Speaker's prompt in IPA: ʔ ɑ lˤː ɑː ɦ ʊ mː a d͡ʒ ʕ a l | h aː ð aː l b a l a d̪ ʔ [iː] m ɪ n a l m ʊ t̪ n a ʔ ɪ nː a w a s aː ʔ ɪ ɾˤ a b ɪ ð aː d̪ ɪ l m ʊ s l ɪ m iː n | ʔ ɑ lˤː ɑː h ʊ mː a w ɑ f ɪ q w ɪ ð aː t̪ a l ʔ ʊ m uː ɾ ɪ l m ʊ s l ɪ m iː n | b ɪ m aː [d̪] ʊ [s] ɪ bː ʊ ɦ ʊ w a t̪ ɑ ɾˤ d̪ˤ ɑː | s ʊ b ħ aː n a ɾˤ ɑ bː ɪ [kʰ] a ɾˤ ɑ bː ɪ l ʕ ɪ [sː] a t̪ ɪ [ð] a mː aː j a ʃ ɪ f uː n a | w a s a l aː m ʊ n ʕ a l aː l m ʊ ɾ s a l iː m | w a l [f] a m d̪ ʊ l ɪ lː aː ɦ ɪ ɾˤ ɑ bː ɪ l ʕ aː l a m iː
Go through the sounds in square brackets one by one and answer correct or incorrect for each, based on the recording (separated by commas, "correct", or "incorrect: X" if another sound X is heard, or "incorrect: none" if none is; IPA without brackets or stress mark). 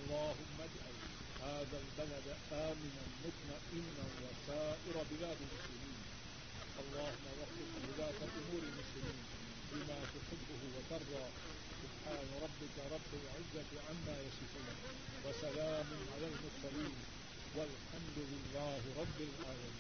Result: incorrect: aː, incorrect: t̪, incorrect: ħ, incorrect: k, incorrect: zː, incorrect: ʕ, incorrect: ħ